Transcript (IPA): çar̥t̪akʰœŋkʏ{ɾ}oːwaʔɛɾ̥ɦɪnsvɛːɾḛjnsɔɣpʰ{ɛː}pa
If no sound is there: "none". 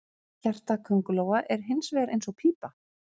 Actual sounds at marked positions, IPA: l, iː

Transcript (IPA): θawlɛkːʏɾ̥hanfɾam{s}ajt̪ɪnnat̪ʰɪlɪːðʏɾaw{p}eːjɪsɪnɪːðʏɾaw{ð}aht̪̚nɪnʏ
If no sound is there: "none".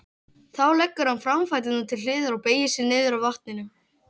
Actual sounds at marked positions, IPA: f, p, v

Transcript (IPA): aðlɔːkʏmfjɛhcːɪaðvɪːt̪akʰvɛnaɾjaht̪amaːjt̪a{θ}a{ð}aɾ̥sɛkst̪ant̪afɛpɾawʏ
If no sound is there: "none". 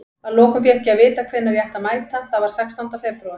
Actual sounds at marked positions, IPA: θ, v

